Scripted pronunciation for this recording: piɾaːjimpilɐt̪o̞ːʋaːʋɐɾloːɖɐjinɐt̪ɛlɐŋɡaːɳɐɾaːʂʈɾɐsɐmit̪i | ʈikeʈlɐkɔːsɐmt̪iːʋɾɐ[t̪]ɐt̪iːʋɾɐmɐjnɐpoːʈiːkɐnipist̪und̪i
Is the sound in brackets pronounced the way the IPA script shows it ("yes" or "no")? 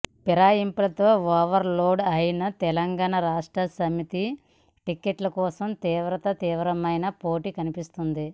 yes